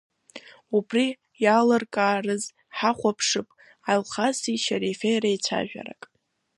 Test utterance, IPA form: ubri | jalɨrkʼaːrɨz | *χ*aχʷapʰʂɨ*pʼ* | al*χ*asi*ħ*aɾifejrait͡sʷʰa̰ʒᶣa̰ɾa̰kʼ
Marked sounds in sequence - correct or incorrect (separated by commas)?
incorrect, correct, correct, incorrect